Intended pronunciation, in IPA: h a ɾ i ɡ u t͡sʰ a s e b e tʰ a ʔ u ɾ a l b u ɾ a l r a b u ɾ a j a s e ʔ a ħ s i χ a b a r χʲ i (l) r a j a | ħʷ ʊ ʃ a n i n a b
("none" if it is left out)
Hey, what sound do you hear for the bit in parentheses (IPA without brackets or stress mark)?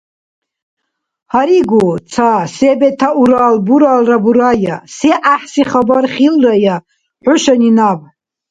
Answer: l